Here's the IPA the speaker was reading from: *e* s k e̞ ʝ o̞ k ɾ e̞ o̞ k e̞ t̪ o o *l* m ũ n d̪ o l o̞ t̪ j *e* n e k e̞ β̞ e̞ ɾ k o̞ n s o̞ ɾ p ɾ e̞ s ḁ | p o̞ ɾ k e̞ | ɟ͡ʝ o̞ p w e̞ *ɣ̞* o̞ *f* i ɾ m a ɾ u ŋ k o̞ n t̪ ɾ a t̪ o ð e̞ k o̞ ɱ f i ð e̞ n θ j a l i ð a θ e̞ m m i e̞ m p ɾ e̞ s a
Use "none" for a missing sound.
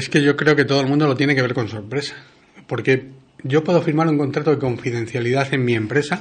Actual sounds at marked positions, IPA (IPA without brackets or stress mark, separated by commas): e, l, e, ð̞, f